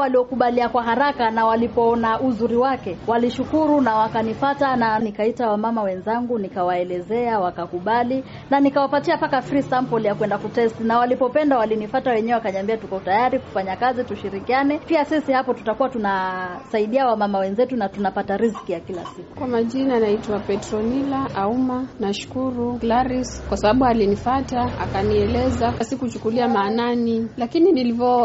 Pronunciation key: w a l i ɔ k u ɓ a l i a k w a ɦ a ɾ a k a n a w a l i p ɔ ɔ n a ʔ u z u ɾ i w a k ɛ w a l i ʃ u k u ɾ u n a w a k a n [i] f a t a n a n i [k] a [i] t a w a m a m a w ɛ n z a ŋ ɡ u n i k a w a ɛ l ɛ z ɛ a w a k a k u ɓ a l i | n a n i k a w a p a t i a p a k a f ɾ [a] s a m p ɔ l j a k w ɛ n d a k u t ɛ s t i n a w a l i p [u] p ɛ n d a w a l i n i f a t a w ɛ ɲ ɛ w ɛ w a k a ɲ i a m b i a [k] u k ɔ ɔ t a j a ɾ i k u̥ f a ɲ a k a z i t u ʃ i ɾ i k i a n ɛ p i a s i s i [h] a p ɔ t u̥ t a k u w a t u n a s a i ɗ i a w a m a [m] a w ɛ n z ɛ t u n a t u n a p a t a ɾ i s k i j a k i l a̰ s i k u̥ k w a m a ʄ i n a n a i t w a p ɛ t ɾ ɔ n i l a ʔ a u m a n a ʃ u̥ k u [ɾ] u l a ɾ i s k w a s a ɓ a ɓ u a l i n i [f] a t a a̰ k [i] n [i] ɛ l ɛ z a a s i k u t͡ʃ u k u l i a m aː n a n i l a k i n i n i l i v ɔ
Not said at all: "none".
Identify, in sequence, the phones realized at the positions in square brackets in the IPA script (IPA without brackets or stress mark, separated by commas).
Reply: i, k, i, i, ɔ, t, h, m, ɾ, f, a, i